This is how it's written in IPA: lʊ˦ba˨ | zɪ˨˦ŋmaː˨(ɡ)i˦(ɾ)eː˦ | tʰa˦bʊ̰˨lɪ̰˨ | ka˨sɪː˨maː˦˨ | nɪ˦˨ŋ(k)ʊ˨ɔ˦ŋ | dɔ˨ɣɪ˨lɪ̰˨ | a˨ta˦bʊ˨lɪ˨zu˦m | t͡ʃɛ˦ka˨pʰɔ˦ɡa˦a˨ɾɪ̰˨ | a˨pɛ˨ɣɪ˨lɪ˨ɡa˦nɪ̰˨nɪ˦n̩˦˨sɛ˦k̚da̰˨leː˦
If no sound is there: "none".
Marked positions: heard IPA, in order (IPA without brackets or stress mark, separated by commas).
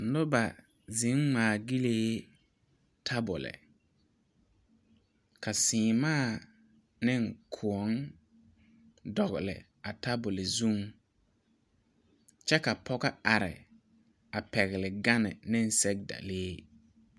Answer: ɡ, l, kʰ